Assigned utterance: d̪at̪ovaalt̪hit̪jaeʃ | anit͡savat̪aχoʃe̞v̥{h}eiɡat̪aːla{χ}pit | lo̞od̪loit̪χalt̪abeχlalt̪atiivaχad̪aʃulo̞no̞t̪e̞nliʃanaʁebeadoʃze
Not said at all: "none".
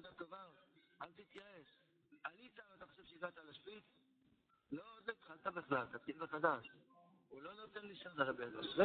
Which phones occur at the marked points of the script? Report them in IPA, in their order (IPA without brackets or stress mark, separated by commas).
ʃ, ʃ